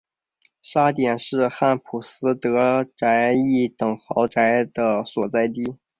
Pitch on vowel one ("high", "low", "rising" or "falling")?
high